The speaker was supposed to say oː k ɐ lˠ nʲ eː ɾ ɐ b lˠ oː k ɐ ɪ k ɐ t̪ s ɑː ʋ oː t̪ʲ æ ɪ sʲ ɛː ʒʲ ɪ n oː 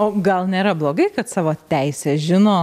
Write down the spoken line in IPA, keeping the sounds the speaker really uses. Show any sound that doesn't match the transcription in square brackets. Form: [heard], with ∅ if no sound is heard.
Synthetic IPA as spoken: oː [ɡ] ɐ lˠ nʲ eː ɾ ɐ b lˠ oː [ɡ] ɐ ɪ k ɐ t̪ s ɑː ʋ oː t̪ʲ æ ɪ sʲ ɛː ʒʲ ɪ n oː